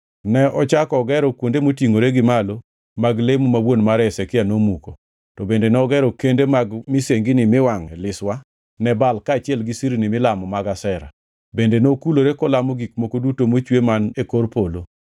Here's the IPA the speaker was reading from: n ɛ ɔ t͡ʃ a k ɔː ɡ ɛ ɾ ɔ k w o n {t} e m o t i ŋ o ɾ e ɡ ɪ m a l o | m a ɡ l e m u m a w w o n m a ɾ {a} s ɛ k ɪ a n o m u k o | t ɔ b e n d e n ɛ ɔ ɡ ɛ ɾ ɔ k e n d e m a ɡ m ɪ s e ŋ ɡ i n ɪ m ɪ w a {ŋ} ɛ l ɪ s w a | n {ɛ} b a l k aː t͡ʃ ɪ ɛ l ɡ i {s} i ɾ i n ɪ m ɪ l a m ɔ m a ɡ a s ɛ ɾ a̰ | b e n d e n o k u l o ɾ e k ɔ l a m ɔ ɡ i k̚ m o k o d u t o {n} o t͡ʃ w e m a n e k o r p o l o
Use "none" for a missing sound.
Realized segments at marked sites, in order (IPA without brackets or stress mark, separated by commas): d, ɛ, ŋ, ɛ, s, m